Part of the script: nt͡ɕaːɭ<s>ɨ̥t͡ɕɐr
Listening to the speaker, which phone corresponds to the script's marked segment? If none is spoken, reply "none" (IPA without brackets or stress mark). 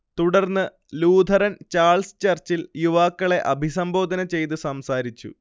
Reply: s